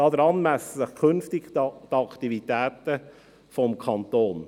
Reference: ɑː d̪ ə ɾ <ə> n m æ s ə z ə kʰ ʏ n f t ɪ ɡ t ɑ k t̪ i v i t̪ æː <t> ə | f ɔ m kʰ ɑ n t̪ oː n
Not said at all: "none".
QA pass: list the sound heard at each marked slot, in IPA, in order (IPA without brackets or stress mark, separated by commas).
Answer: ɑ, t